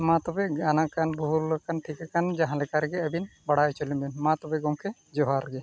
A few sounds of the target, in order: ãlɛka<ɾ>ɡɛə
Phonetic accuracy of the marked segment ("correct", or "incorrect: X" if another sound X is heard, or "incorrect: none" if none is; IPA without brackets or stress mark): correct